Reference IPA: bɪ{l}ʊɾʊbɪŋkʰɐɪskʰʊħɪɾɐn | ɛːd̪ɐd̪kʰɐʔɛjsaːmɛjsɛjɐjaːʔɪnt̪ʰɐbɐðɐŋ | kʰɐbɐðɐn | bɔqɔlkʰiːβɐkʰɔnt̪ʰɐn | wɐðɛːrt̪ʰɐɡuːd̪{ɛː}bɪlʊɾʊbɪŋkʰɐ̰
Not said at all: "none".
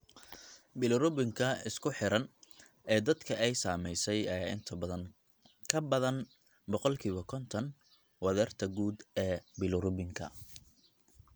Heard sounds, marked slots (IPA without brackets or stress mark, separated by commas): l, ɛː